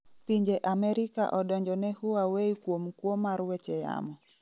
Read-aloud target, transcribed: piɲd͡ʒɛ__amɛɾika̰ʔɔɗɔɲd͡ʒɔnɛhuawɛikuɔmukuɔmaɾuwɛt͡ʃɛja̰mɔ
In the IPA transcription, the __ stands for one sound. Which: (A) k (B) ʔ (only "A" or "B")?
B